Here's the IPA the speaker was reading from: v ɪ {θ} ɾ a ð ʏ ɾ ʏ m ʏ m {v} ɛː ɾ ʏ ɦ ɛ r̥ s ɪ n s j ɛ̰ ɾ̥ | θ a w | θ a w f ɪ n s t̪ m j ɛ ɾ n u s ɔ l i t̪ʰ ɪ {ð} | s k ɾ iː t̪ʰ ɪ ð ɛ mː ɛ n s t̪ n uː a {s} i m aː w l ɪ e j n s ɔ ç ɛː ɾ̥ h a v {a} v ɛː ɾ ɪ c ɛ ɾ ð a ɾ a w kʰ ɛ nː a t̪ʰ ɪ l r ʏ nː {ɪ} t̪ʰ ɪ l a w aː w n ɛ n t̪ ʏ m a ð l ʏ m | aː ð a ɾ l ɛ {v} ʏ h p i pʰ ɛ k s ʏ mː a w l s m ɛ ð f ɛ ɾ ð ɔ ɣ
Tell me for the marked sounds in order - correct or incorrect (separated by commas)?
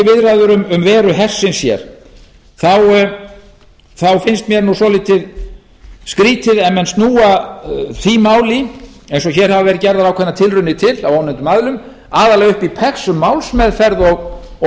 incorrect, correct, correct, incorrect, correct, correct, incorrect